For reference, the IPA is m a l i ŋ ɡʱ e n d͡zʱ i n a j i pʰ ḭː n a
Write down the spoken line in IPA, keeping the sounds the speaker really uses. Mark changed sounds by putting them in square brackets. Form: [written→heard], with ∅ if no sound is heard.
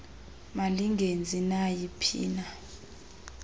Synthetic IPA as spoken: m a l i ŋ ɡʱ e n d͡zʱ i n a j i pʰ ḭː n a